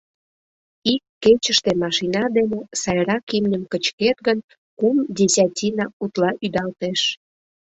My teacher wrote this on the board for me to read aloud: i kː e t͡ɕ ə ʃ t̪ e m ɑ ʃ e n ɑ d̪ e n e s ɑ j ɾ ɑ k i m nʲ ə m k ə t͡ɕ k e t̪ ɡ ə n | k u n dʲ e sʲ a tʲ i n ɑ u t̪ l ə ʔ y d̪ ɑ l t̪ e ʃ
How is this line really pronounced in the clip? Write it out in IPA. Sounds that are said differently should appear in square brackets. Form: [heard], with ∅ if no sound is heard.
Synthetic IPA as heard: i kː e t͡ɕ ə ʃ t̪ e m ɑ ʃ [i] n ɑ d̪ e n e s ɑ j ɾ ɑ k i m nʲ ə m k ə t͡ɕ k e t̪ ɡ ə n | k u [m] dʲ e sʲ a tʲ i n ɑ u t̪ l [ɑ] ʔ y d̪ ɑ l t̪ e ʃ

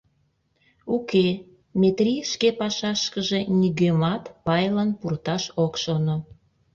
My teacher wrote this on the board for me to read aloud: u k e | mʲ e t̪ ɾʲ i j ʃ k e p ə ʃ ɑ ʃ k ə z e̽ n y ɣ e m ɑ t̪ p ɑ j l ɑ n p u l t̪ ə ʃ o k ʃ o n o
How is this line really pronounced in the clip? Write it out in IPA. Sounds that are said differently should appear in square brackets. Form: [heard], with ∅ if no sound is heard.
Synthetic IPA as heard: u k e | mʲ e t̪ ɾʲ i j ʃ k e p [ɑ] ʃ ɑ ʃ k ə [ʒ] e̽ n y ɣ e m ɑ t̪ p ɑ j l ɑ n p u [r] t̪ [ɑ] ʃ o k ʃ o n o

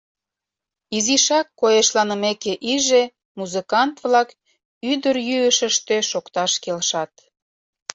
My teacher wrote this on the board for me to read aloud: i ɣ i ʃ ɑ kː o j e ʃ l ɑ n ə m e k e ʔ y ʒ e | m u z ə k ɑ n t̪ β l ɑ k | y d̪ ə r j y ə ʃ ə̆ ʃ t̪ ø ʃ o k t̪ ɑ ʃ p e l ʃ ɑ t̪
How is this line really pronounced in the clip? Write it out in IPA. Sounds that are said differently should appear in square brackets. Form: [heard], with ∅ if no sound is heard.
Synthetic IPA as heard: i [z] i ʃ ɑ kː o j e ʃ l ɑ n ə m e k e ʔ [i] ʒ e | m u z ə k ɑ n t̪ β l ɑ k | y d̪ ə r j y ə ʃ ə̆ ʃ t̪ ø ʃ o k t̪ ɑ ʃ [k] e l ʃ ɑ t̪

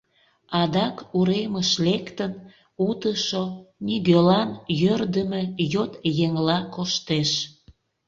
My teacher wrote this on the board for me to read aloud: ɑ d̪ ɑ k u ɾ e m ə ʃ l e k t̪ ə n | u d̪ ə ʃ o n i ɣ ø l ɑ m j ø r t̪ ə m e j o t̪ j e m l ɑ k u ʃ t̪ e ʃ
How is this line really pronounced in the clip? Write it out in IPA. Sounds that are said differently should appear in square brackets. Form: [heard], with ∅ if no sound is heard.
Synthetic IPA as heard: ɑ d̪ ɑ k u ɾ e m ə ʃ l e k t̪ ə n | u [t̪] ə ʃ o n i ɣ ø l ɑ [n] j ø r [d̪] ə m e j o t̪ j e [ŋ] l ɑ k [o] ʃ t̪ e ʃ

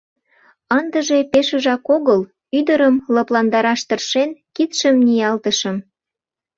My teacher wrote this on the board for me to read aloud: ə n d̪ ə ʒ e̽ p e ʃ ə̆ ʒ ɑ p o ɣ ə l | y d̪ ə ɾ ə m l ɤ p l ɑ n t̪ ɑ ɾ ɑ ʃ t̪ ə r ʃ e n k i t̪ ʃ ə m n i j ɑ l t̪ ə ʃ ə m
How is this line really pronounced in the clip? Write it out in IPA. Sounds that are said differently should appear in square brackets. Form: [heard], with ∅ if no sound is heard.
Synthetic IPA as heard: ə n d̪ ə ʒ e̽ p e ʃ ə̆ ʒ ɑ [k] o ɣ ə l | y d̪ ə ɾ ə m l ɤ p l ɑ n [d̪] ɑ ɾ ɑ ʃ t̪ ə r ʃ e n k i t̪ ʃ ə m n i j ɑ l t̪ ə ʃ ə m

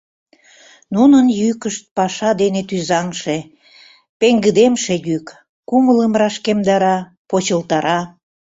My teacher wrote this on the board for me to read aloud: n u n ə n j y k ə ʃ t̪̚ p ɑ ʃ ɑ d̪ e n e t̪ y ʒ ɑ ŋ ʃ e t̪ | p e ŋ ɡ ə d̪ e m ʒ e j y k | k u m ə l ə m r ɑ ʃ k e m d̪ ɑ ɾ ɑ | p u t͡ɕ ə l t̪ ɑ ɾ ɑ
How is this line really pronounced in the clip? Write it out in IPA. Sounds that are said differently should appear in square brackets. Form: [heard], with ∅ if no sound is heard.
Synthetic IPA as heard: n u n ə n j y k ə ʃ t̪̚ p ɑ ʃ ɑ d̪ e n e t̪ y [z] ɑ ŋ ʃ e [∅] | p e ŋ ɡ ə d̪ e m [ʃ] e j y k | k u m ə l ə m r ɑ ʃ k e m d̪ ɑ ɾ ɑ | p [o] t͡ɕ ə l t̪ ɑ ɾ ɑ

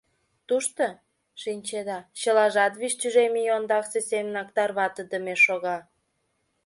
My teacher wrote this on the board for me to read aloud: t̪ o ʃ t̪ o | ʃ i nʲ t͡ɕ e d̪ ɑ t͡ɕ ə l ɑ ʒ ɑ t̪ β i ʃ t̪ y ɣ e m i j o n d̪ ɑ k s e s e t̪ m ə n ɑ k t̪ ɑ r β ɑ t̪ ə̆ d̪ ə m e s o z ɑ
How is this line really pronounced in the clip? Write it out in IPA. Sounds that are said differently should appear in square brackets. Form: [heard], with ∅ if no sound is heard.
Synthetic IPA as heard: t̪ [u] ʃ t̪ o | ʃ i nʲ t͡ɕ e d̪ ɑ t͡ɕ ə l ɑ ʒ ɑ t̪ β i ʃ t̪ y [ʒ] e m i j o n d̪ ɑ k s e s e [∅] m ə n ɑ k t̪ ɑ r β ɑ t̪ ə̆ d̪ ə m e [ʃ] o [ɣ] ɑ

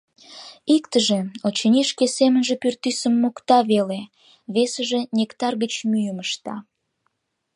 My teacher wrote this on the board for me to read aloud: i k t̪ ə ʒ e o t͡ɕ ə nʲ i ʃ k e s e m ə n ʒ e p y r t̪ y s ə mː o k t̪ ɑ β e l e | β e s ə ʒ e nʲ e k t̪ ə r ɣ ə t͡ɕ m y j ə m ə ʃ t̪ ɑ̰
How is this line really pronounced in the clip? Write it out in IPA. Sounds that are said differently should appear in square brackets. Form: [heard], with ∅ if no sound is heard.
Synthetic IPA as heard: i k t̪ ə ʒ e o t͡ɕ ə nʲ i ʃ k e s e m ə n ʒ e p y r t̪ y s ə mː o k t̪ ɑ β e l e | β e s ə ʒ e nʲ e k t̪ [ɑ] r ɣ ə t͡ɕ m y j ə m ə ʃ t̪ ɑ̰

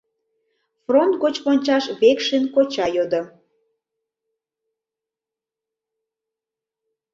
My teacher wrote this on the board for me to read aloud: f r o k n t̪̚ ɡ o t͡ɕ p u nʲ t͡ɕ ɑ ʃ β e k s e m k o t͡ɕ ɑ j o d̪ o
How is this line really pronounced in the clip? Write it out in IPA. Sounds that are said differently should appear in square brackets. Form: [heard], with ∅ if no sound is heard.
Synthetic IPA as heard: f r o [∅] n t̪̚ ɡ o t͡ɕ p [o] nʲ t͡ɕ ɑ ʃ β e k [ʃ] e [n] k o t͡ɕ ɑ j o d̪ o

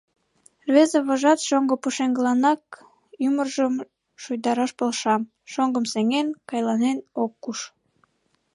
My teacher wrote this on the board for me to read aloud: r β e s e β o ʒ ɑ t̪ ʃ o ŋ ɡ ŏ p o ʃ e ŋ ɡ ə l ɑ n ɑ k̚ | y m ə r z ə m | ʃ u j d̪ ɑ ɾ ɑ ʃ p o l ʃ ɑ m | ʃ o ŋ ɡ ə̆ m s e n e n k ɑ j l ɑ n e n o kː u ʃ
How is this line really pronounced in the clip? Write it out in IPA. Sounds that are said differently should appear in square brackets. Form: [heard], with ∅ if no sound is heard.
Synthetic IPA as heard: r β e [z] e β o ʒ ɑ t̪ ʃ o ŋ ɡ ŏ p [u] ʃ e ŋ ɡ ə l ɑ n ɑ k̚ | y m ə r [ʒ] ə m | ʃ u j d̪ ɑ ɾ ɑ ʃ p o l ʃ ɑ m | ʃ o ŋ ɡ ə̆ m s e [ŋ] e n k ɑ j l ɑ n e n o kː u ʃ

